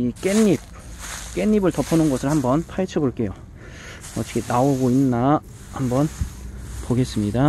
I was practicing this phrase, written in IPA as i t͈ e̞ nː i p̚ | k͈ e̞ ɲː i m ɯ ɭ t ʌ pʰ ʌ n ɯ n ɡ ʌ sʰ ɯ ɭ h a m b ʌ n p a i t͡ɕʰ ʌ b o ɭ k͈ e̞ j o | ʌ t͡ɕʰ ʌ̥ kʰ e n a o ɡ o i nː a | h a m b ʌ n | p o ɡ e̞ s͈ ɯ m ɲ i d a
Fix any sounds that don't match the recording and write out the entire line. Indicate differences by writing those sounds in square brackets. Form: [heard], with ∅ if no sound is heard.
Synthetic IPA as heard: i [k͈] e̞ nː i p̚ | k͈ e̞ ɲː i [b] ɯ ɭ t ʌ pʰ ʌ n ɯ n ɡ ʌ sʰ ɯ ɭ h a m b ʌ n [pʰ] a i t͡ɕʰ ʌ b o ɭ k͈ e̞ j o | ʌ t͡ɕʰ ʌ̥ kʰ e n a o ɡ o i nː a | h a m b ʌ n | p o ɡ e̞ s͈ ɯ m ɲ i d a

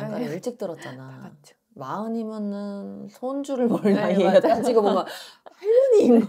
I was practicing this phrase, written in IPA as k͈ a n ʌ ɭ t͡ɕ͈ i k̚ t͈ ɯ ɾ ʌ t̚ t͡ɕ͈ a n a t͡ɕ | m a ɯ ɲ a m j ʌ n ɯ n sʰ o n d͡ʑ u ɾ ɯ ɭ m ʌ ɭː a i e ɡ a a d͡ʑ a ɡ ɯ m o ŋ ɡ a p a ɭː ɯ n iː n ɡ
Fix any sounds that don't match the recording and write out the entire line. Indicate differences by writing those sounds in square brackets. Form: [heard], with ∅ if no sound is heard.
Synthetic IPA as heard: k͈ a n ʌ ɭ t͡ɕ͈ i k̚ t͈ ɯ ɾ ʌ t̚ t͡ɕ͈ a n a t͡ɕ | m a ɯ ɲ [i] m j ʌ n ɯ n sʰ o n d͡ʑ u ɾ ɯ ɭ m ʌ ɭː a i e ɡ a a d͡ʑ [i] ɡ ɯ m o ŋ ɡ a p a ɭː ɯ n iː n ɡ

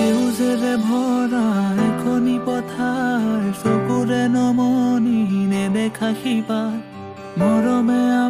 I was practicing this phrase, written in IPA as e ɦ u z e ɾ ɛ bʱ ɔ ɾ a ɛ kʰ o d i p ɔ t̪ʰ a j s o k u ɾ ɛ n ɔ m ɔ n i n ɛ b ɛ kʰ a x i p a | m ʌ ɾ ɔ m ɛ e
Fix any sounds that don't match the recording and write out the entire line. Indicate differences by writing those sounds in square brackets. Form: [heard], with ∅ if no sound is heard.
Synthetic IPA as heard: e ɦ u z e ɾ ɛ bʱ ɔ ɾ a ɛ kʰ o [n] i p ɔ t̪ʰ a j s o k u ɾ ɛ n ɔ m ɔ n i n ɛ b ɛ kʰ a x i p a | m [ɔ] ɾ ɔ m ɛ [a]

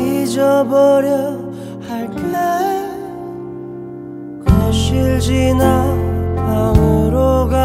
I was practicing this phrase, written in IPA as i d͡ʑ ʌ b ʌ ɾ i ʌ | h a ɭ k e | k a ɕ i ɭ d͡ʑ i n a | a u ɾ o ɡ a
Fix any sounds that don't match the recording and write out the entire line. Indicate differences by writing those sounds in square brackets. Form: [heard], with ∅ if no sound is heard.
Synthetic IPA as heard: i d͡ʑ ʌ b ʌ ɾ [j] ʌ | h a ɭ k e | k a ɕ i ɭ d͡ʑ i n a | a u ɾ o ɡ a

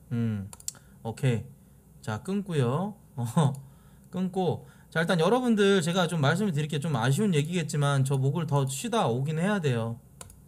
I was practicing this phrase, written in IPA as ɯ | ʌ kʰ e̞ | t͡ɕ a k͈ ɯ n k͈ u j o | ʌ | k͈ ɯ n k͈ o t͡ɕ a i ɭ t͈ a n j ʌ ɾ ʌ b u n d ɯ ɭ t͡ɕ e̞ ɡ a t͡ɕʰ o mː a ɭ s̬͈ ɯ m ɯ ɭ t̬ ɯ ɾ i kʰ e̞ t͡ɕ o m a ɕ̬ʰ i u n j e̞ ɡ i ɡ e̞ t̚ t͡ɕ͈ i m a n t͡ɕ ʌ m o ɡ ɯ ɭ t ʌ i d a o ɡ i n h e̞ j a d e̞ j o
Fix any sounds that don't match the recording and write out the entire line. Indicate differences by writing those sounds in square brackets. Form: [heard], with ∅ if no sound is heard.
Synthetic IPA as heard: ɯ | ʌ kʰ e̞ | t͡ɕ a k͈ ɯ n k͈ u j o | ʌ | k͈ ɯ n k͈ o t͡ɕ a i ɭ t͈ a n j ʌ ɾ ʌ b u n d ɯ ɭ t͡ɕ e̞ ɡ a [t͡ɕ] o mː a ɭ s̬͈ ɯ m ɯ ɭ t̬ ɯ ɾ i kʰ e̞ t͡ɕ o m a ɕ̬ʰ i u n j e̞ ɡ i ɡ e̞ t̚ t͡ɕ͈ i m a n t͡ɕ ʌ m o ɡ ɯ ɭ t ʌ i d a o ɡ i n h e̞ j a d e̞ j o

